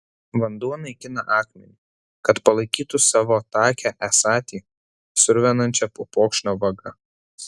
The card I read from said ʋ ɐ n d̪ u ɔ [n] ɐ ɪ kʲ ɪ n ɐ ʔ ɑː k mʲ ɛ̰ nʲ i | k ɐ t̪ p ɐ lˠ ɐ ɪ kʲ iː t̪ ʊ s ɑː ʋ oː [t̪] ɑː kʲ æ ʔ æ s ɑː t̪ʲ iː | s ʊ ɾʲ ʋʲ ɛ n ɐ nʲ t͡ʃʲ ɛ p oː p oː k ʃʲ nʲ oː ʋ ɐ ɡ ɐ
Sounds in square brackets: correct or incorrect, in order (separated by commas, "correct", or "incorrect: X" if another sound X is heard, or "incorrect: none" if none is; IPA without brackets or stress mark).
correct, correct